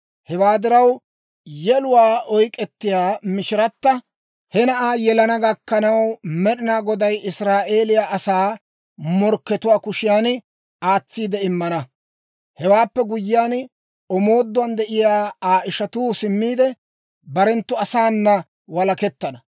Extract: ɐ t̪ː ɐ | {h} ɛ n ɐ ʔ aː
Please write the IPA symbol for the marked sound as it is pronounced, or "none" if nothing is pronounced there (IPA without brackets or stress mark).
h